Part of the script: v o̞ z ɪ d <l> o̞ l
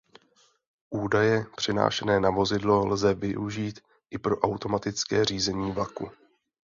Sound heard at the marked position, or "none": l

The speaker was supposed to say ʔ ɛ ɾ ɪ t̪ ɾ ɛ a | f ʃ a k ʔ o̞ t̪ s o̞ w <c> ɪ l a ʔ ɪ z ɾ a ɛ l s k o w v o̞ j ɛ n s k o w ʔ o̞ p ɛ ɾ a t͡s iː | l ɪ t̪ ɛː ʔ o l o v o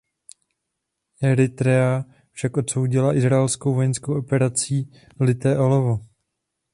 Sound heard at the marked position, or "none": ɟ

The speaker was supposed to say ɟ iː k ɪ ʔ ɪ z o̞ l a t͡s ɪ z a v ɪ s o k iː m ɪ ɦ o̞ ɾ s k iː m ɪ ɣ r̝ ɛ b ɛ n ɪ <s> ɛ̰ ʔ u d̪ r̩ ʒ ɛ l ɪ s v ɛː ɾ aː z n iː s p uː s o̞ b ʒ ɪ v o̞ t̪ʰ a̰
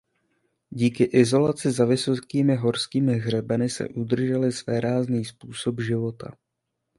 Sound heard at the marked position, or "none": s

